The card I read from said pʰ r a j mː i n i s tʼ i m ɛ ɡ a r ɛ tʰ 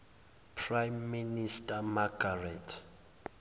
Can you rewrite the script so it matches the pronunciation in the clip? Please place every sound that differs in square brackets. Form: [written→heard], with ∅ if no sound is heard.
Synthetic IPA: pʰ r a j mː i n i s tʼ [i→a] m [ɛ→a] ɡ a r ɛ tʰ